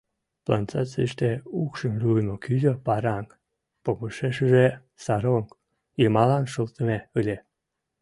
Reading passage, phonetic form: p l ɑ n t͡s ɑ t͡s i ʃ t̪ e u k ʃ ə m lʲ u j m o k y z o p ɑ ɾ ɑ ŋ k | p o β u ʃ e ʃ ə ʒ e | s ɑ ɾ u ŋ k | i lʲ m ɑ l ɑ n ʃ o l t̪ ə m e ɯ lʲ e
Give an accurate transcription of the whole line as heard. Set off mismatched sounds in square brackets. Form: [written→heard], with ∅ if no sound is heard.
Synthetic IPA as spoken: p l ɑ n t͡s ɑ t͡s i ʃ t̪ e u k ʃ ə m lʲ u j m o k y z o p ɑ ɾ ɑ ŋ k | p o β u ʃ e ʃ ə ʒ e | s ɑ ɾ [u→o] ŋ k | i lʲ m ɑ l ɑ n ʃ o l t̪ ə m e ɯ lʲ e